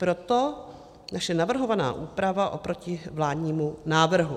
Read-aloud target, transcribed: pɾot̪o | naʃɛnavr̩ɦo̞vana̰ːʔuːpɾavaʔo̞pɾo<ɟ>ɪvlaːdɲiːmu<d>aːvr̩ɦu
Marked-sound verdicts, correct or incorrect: incorrect: c, incorrect: n

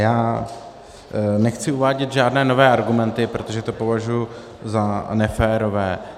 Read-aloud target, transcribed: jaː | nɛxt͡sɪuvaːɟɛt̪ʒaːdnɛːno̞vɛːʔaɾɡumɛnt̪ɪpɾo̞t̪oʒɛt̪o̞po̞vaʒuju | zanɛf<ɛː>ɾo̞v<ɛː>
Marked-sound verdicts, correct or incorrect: correct, correct

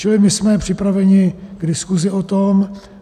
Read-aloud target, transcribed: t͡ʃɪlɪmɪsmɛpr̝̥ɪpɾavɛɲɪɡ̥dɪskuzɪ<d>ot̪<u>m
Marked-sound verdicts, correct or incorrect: incorrect: none, incorrect: o

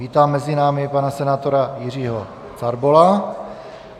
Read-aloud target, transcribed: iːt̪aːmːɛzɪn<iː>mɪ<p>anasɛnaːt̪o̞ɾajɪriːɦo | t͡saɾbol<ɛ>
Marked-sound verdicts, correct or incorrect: incorrect: aː, correct, incorrect: a

